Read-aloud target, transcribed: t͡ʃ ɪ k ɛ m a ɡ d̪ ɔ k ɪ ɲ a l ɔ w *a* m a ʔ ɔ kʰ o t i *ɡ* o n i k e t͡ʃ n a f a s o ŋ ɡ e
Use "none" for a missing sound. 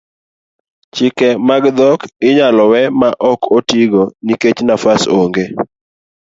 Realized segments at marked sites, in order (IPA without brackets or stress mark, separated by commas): ɛ, ɡ